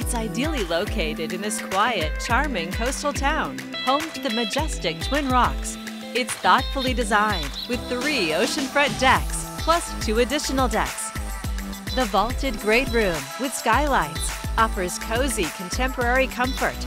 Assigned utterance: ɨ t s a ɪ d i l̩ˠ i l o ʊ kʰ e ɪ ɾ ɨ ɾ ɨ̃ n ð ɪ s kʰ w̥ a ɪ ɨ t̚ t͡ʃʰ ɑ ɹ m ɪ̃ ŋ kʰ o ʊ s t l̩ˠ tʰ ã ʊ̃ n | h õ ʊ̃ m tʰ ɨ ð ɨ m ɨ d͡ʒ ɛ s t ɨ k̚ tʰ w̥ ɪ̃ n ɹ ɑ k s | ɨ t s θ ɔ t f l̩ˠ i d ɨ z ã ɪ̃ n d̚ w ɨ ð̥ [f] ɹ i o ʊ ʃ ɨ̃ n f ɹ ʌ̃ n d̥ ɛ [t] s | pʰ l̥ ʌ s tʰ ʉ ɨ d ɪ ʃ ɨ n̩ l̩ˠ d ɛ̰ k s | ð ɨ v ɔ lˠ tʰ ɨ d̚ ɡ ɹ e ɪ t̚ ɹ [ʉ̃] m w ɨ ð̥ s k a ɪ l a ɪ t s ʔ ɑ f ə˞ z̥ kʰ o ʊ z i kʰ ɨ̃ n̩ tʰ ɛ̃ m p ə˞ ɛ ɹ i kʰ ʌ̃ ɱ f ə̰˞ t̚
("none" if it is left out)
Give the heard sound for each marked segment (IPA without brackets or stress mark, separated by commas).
θ, k, ʉ̃